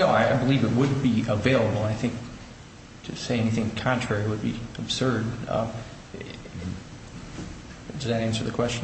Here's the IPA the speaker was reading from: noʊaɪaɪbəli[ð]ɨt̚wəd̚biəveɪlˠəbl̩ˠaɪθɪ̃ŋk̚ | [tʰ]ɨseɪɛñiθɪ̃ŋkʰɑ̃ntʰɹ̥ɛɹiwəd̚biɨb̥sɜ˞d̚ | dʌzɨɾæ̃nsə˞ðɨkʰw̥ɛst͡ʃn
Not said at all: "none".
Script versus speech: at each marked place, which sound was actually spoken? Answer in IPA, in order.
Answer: v, tʰ

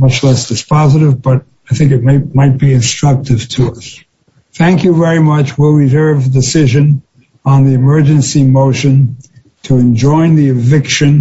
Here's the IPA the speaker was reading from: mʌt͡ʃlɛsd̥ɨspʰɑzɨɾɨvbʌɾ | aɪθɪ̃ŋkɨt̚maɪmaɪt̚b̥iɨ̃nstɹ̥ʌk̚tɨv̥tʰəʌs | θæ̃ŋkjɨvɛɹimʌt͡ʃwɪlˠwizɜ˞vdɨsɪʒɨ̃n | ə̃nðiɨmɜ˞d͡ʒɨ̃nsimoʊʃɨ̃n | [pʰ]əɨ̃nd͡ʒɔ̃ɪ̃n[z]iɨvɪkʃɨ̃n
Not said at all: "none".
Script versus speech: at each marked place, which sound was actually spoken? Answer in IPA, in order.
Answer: tʰ, ð

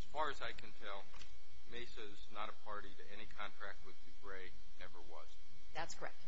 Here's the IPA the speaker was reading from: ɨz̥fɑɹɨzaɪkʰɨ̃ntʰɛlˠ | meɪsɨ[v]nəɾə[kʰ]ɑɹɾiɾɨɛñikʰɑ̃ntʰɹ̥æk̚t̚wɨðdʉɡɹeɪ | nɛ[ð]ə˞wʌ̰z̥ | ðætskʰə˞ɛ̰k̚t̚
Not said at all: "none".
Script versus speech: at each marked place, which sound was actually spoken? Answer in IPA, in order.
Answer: z, pʰ, v

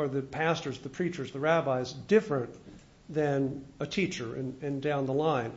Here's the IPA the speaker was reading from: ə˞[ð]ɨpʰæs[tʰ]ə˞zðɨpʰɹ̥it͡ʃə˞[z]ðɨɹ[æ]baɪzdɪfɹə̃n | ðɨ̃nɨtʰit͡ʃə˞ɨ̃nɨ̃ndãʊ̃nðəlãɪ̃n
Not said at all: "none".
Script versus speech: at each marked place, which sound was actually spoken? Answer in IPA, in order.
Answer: ð, t, z, æ

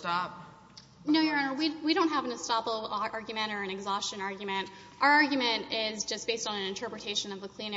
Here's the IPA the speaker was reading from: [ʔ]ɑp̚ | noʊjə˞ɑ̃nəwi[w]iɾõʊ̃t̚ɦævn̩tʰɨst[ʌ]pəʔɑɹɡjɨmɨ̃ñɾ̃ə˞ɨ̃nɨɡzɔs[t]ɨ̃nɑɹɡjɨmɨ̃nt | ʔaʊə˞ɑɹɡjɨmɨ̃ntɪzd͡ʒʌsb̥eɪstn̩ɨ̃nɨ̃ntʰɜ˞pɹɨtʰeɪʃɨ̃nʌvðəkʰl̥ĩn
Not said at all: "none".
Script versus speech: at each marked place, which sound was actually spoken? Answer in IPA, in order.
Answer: t, w, ɑ, t͡ʃ

